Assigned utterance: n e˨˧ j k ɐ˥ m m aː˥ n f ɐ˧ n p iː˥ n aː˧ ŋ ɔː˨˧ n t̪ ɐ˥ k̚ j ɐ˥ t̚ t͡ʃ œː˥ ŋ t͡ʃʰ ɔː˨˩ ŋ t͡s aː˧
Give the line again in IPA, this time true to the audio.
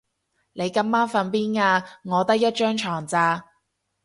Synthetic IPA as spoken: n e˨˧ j k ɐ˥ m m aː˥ n f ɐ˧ n p iː˥ n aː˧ ŋ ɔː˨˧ t̪ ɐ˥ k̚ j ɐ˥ t̚ t͡ʃ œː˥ ŋ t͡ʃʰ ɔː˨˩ ŋ t͡s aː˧

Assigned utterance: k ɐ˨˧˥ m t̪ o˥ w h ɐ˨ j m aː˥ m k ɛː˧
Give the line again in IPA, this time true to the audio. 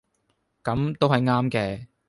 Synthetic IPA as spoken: k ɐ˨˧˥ m t̪ o˥ w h ɐ˨ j ŋ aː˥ m k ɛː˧

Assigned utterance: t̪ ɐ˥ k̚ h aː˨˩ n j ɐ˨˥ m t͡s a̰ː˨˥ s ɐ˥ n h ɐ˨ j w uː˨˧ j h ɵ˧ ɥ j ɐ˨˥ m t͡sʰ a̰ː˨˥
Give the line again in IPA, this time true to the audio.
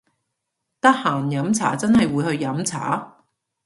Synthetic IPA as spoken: t̪ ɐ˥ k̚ h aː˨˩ n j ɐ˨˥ m t͡sʰ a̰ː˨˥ t͡s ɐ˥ n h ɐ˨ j w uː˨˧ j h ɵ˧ ɥ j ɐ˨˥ m t͡sʰ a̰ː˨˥

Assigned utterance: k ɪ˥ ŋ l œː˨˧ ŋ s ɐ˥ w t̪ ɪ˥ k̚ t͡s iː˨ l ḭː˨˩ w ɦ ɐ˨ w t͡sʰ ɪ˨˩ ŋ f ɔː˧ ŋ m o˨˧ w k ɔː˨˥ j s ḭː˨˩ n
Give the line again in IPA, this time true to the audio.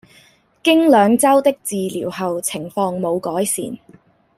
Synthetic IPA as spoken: k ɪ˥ ŋ l œː˨˧ ŋ t͡s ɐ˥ w t̪ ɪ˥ k̚ t͡s iː˨ l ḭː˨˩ w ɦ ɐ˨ w t͡sʰ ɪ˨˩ ŋ f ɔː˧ ŋ m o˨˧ w k ɔː˨˥ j s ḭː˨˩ n

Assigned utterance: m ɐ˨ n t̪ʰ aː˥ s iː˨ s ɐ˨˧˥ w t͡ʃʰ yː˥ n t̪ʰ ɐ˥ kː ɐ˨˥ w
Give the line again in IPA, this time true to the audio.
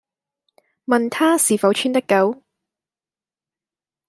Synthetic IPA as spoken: m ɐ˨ n t̪ʰ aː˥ s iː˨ f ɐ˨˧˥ w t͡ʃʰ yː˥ n t̪ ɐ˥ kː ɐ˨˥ w

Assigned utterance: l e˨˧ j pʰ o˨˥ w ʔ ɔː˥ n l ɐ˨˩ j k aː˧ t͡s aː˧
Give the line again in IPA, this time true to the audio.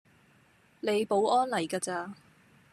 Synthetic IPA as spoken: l e˨˧ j p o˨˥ w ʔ ɔː˥ n l ɐ˨˩ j k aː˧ t͡s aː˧

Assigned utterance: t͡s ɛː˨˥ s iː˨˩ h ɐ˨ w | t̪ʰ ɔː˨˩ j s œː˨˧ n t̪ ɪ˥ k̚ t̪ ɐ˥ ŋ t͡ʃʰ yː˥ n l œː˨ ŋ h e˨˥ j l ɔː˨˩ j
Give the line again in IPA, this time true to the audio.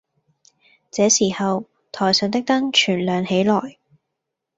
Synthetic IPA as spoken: t͡s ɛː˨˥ s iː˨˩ h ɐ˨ w | t̪ʰ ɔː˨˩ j s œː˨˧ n t̪ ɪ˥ k̚ t̪ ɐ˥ ŋ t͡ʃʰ yː˨˩ n l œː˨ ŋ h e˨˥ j l ɔː˨˩ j

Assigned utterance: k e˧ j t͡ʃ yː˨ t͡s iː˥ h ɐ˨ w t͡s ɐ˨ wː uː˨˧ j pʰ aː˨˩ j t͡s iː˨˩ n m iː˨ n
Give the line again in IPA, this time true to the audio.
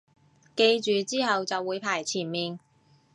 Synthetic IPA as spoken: k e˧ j t͡ʃ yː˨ t͡s iː˥ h ɐ˨ w t͡s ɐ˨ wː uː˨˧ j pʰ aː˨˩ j t͡sʰ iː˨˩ n m iː˨ n

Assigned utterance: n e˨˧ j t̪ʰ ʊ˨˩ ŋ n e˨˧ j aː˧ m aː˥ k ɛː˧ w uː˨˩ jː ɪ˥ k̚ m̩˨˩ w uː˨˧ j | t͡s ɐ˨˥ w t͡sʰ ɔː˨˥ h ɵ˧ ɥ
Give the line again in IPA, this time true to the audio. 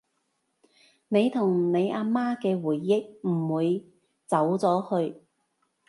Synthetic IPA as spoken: n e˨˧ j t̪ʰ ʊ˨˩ ŋ n e˨˧ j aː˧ m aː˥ k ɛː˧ w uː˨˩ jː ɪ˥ k̚ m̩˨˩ w uː˨˧ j | t͡s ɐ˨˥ w t͡s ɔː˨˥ h ɵ˧ ɥ

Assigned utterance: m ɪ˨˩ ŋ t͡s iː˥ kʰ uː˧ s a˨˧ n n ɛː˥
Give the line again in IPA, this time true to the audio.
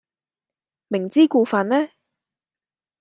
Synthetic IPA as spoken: m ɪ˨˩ ŋ t͡s iː˥ k uː˧ f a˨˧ n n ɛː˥

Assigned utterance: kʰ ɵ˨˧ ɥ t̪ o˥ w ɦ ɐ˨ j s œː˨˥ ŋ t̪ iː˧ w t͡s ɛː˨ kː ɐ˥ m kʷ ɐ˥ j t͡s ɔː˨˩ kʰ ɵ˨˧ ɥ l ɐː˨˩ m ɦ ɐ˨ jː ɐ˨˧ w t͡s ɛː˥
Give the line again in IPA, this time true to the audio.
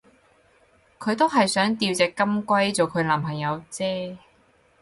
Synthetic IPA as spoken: kʰ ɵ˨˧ ɥ t̪ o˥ w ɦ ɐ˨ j s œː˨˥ ŋ t̪ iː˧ w t͡s ɛː˨ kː ɐ˥ m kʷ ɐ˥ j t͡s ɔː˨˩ kʰ ɵ˨˧ ɥ l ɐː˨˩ m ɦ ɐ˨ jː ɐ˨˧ w t͡s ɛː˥

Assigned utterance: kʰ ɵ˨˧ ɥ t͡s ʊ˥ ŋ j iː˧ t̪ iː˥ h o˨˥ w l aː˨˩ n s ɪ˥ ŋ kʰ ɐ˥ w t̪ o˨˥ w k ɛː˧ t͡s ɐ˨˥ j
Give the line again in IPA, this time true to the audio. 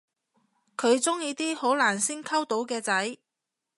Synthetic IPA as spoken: kʰ ɵ˨˧ ɥ t͡s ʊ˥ ŋ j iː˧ t̪ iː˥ h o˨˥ w l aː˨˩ n s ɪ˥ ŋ kʰ ɐ˥ w t̪ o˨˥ w k ɛː˧ t͡s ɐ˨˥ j

